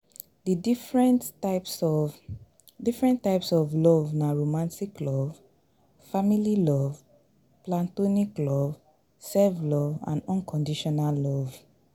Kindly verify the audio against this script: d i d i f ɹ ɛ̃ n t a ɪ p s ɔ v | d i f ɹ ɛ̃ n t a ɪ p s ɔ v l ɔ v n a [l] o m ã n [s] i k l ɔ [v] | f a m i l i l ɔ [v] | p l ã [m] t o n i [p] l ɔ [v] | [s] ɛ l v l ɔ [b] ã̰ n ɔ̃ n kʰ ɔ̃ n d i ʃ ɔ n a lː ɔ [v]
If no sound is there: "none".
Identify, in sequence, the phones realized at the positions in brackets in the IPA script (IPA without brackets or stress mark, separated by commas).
ɹ, t, v, v, n, k, v, s, v, v